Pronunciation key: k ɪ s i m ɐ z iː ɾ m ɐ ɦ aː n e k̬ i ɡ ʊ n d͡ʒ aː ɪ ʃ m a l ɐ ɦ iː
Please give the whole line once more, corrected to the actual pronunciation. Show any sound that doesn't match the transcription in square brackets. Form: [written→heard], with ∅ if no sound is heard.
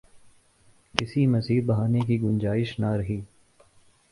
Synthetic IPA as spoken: k ɪ s i m ɐ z iː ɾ [m→b] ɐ ɦ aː n e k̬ i ɡ ʊ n d͡ʒ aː ɪ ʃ [m→n] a [l→ɾ] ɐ ɦ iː